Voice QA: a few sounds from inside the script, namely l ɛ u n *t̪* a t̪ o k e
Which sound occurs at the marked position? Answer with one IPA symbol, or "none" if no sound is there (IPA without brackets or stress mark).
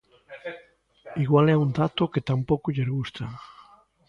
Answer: d̪